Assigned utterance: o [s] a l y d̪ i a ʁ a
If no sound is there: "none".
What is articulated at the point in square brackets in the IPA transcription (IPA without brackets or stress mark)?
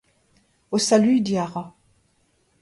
s